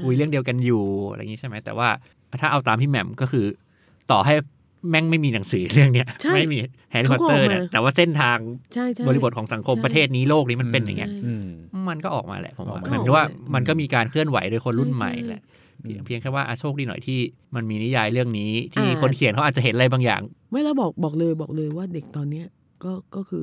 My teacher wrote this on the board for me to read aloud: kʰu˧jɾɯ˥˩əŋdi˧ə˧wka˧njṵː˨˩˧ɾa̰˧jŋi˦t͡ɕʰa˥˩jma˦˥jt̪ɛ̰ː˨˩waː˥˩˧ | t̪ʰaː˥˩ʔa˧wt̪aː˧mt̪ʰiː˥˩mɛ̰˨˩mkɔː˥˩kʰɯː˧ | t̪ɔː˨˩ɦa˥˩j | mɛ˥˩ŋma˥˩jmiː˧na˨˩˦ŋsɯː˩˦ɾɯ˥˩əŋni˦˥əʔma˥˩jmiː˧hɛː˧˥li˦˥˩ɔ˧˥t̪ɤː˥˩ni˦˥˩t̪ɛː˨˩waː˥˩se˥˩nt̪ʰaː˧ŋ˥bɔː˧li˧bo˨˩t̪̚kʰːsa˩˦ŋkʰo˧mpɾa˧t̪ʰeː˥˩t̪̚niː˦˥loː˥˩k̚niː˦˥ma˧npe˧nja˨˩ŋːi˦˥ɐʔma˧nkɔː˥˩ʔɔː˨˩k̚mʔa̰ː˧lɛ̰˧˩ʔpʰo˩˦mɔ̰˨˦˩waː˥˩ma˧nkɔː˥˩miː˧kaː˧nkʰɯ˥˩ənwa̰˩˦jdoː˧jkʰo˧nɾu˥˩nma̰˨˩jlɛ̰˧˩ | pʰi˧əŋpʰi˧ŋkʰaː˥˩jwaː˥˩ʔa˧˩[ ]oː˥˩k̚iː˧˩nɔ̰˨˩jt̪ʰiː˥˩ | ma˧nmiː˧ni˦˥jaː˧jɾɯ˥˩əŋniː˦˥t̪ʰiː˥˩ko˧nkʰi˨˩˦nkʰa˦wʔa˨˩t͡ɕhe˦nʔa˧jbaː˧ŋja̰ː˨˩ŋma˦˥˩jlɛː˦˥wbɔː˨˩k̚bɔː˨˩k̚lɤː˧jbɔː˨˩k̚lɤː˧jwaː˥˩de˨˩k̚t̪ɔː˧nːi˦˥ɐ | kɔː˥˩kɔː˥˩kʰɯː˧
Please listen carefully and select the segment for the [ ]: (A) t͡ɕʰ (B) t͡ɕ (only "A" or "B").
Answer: A